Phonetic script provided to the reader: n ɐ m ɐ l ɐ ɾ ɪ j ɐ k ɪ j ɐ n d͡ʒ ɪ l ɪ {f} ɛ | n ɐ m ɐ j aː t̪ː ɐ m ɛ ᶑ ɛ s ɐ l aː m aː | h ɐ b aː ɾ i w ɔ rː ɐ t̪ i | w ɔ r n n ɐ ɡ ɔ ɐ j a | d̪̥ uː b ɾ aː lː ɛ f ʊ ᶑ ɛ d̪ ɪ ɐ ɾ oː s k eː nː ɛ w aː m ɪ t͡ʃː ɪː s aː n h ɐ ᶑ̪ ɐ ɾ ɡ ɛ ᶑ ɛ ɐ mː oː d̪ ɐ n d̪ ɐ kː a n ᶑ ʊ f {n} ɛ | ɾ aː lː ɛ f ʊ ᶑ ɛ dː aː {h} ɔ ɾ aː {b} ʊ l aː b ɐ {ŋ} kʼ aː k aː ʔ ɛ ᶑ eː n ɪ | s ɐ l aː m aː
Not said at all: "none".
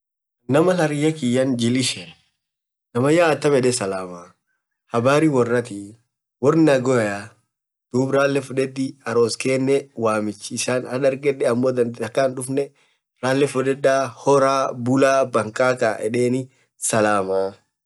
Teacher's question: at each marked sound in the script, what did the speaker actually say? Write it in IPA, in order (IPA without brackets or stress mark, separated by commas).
ʃ, n, h, b, ŋ